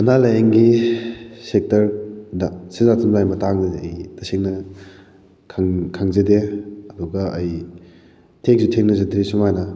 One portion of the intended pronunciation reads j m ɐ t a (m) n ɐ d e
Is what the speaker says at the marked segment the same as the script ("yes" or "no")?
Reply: no